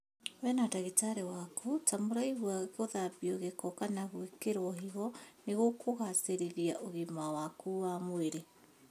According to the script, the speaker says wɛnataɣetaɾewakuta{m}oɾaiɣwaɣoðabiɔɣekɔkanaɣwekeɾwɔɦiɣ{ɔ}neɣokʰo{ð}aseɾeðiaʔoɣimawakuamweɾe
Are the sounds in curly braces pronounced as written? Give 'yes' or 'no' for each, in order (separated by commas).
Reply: yes, yes, no